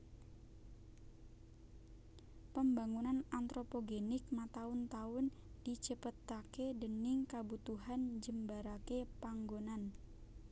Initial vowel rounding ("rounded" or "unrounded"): unrounded